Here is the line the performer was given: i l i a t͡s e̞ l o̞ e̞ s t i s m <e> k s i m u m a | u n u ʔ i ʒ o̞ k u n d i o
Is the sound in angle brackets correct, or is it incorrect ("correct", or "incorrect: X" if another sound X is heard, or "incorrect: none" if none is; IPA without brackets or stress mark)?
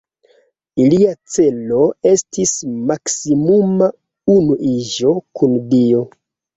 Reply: incorrect: a